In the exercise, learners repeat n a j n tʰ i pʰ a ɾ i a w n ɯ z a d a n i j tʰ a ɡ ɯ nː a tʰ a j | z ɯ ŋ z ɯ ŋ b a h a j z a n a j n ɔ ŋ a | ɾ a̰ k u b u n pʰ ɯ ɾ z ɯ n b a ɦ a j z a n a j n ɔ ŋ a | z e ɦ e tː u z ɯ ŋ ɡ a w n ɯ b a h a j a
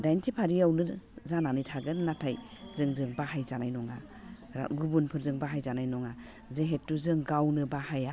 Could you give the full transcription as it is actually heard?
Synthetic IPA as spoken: d a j n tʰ i pʰ a ɾ i a w n ɯ z a n a n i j tʰ a ɡ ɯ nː a tʰ a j | z ɯ ŋ z ɯ ŋ b a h a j z a n a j n ɔ ŋ a | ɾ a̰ ɡ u b u n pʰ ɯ ɾ z ɯ ŋ b a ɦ a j z a n a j n ɔ ŋ a | z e ɦ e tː u z ɯ ŋ ɡ a w n ɯ b a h a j a